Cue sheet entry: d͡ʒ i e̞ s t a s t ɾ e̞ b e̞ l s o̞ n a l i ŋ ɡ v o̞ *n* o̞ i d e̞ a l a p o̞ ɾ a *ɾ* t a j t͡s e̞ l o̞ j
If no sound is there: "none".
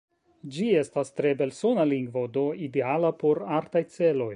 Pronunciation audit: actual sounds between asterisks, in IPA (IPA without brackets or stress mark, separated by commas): d, ɾ